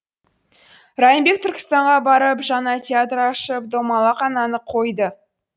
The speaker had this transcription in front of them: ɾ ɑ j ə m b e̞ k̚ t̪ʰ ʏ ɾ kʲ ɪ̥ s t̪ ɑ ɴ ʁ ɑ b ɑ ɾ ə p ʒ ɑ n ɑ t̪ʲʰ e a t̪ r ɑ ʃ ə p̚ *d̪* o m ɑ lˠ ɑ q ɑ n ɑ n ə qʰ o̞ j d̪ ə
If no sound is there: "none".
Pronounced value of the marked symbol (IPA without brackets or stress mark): d̪